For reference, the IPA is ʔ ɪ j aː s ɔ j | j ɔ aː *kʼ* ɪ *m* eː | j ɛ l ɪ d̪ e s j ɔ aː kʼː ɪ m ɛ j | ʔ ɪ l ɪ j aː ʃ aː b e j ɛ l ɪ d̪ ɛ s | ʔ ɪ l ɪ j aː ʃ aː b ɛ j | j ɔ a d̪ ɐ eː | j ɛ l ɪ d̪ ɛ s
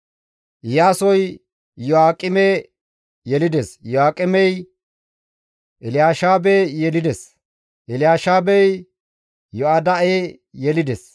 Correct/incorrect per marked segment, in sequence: correct, correct

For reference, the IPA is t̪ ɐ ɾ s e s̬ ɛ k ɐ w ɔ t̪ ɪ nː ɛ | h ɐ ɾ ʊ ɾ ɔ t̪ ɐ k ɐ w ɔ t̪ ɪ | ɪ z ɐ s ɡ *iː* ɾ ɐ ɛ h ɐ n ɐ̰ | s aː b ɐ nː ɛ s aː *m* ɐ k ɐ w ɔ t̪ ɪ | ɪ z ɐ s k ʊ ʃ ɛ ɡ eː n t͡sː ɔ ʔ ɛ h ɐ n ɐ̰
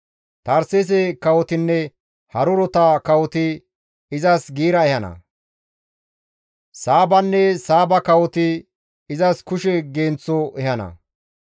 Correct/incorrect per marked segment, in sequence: correct, incorrect: b

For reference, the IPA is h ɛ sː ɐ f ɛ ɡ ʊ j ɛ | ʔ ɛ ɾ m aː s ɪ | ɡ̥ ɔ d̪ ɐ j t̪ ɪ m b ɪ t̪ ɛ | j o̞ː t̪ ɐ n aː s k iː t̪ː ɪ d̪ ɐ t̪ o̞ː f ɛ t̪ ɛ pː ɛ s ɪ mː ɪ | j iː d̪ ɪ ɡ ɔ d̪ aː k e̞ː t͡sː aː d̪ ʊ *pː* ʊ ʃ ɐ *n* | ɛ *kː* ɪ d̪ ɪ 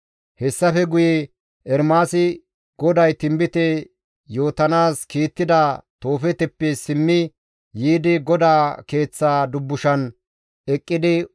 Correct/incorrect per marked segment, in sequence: incorrect: bː, correct, incorrect: kʼː

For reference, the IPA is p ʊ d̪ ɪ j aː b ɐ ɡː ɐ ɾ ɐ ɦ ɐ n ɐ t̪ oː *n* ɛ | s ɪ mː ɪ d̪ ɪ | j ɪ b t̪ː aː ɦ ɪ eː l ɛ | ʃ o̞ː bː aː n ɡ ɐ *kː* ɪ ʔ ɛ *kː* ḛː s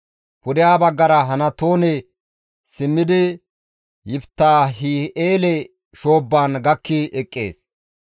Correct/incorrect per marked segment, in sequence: correct, correct, incorrect: kʼː

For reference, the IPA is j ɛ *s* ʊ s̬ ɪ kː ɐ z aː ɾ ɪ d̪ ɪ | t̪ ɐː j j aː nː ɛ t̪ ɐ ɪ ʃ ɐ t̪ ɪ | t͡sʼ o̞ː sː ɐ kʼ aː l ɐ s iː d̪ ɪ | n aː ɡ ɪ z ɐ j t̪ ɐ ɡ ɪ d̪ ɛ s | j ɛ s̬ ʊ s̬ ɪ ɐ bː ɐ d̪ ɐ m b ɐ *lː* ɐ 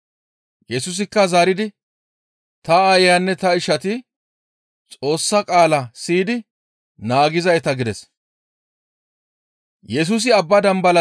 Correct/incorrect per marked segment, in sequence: correct, incorrect: l

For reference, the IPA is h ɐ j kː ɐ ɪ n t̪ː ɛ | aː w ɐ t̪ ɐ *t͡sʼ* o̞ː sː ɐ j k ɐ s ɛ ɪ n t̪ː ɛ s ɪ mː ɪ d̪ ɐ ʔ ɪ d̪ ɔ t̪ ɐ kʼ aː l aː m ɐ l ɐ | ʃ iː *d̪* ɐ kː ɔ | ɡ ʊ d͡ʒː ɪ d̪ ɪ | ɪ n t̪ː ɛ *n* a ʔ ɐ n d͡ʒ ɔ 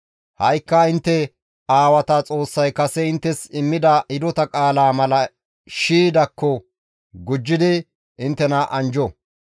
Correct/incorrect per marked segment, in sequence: correct, correct, correct

